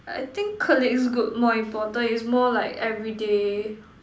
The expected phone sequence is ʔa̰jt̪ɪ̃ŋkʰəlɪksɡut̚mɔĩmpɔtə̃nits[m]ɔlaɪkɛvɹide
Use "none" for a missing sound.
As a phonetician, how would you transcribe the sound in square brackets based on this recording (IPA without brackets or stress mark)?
m